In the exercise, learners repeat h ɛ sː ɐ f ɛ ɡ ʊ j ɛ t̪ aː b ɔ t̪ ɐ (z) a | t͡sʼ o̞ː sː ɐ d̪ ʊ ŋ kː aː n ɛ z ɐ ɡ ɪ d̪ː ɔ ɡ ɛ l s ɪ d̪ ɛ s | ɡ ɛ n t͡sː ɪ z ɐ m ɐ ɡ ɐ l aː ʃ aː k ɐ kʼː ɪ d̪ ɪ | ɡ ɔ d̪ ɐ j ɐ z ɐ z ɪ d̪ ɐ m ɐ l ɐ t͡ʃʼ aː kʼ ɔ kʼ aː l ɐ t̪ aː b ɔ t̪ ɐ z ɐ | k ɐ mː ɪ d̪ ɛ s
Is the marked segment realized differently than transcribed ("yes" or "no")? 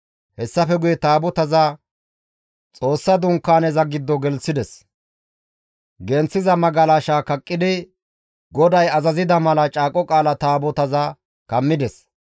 no